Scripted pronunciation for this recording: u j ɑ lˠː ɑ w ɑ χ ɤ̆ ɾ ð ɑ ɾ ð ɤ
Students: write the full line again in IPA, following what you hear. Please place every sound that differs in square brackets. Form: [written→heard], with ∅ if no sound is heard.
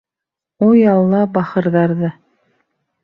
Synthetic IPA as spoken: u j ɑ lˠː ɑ [w→b] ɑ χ ɤ̆ ɾ ð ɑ ɾ ð ɤ